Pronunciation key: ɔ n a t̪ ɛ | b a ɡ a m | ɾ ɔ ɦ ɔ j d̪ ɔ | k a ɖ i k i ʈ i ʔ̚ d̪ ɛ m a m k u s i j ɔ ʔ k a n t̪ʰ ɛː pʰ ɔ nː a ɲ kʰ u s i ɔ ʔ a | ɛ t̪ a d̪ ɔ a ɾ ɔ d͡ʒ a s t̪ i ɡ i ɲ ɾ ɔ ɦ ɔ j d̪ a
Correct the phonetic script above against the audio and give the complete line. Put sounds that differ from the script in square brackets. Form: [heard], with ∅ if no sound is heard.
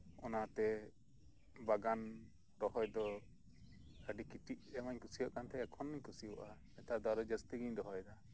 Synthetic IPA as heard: ɔ n a t̪ ɛ | b a ɡ a [n] | ɾ ɔ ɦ ɔ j d̪ ɔ | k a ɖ i k i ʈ i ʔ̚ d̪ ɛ m a [ɲ] k u s i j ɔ ʔ k a n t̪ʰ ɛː [kʰ] ɔ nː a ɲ [k] u s i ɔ ʔ a | ɛ t̪ a d̪ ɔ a ɾ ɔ d͡ʒ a s t̪ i ɡ i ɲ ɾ ɔ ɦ ɔ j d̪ a